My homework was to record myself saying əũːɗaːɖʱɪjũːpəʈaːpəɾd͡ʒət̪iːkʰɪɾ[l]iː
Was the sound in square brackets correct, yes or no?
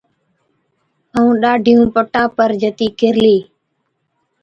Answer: yes